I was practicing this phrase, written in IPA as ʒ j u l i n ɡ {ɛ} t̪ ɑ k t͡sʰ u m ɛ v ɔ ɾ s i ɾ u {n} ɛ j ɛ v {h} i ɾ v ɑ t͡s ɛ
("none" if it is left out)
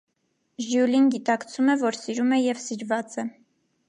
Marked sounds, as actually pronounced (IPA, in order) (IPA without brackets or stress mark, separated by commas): i, m, s